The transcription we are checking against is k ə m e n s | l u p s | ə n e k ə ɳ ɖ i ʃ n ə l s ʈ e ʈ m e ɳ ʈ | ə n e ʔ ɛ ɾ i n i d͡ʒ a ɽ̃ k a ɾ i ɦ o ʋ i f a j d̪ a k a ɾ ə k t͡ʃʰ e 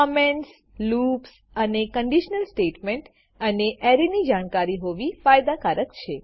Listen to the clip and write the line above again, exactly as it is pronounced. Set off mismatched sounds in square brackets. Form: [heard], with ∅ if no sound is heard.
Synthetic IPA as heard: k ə m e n s | l u p s | ə n e k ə ɳ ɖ i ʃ n ə l s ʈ e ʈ m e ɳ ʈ | ə n e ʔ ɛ ɾ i n i d͡ʒ a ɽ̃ k a ɾ i ɦ o ʋ i f a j d̪ a k a ɾ ə k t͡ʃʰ e